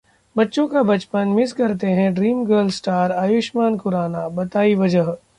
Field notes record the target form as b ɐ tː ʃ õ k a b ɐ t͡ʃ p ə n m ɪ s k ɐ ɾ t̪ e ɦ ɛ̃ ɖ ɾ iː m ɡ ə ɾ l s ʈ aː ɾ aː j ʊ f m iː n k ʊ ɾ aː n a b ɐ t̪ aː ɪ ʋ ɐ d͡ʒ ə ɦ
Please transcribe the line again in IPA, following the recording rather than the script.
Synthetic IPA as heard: b ɐ tː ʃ õ k a b ɐ t͡ʃ p ə n m ɪ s k ɐ ɾ t̪ e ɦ ɛ̃ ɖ ɾ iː m ɡ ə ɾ l s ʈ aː ɾ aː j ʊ ʃ m aː n k ʊ ɾ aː n a b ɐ t̪ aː i ʋ ɐ d͡ʒ ə ɦ